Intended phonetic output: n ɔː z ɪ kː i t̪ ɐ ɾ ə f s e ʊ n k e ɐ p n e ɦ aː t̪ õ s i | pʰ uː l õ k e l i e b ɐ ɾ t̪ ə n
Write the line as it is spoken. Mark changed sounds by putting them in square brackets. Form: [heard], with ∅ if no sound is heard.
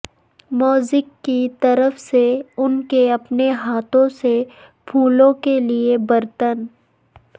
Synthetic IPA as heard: [m] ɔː z ɪ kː i t̪ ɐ ɾ ə f s e ʊ n k e ɐ p n e ɦ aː t̪ õ s [e] | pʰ uː l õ k e l i e b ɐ ɾ t̪ ə n